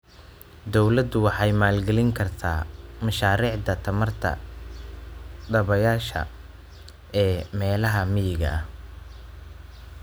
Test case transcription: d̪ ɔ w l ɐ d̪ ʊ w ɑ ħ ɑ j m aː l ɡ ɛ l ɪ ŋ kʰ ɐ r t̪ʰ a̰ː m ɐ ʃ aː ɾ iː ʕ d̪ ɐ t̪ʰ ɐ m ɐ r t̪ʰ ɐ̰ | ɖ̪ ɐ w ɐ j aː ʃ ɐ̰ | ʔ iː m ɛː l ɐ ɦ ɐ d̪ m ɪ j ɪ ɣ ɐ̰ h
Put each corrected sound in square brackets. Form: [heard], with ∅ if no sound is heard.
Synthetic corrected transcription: d̪ ɔ w l ɐ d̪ ʊ w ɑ ħ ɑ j m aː l ɡ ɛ l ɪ ŋ kʰ ɐ r t̪ʰ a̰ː m ɐ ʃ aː ɾ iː ʕ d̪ ɐ t̪ʰ ɐ m ɐ r t̪ʰ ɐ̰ | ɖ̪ ɐ [β] ɐ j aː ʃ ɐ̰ | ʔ [ɛː] m ɛː l ɐ ɦ ɐ [∅] m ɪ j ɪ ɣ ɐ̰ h